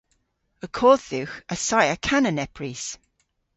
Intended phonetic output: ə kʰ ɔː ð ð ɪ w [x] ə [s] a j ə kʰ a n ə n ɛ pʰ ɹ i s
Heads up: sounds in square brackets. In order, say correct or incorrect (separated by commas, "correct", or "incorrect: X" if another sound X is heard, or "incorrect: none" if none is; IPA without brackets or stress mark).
correct, correct